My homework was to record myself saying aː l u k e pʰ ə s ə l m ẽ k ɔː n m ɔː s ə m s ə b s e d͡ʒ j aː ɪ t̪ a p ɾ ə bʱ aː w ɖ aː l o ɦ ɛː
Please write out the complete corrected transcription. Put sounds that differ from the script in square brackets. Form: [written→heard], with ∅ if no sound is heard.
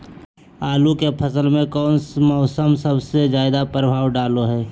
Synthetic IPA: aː l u k e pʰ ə s ə l m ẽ k ɔː n m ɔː s ə m s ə b s e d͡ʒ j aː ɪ [t̪→d̪] a p ɾ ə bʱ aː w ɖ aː l o ɦ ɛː